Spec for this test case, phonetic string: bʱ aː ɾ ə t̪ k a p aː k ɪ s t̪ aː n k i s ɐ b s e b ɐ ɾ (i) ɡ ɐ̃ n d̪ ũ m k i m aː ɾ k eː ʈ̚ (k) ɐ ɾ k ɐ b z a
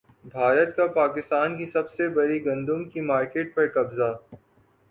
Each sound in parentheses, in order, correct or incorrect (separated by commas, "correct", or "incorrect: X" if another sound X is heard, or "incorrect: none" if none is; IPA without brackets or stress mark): correct, incorrect: p